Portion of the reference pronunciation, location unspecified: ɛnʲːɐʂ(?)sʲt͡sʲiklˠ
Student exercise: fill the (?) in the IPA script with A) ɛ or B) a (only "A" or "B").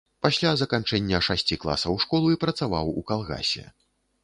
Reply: B